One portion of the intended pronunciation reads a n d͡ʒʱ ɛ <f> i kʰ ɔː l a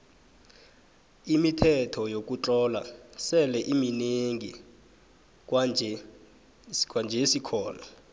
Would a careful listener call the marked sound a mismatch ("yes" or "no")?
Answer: yes